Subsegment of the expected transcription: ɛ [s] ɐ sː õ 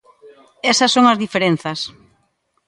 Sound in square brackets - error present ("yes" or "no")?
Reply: no